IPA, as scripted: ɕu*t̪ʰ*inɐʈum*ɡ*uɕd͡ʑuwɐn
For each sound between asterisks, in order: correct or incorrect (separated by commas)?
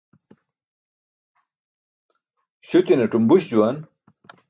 incorrect, incorrect